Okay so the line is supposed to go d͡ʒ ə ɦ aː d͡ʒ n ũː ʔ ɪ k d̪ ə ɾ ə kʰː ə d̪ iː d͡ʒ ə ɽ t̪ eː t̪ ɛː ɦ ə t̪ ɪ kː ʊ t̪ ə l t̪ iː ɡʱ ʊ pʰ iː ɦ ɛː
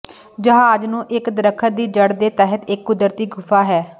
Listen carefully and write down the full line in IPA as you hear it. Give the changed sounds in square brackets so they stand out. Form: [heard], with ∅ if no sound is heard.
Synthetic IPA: d͡ʒ ə ɦ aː d͡ʒ n ũː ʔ ɪ k d̪ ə ɾ ə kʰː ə d̪ iː d͡ʒ ə ɽ [d̪] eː t̪ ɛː ɦ ə t̪ ɪ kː ʊ [d̪] ə [ɾ] t̪ iː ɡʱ ʊ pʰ [aː] ɦ ɛː